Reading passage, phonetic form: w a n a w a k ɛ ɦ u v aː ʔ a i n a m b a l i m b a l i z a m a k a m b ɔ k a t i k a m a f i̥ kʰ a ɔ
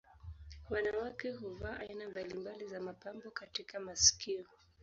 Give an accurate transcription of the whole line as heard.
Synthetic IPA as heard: w a n a w a k ɛ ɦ u v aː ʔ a i n a m b a l i m b a l i z a m a p a m b ɔ k a t i k a m a s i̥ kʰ i ɔ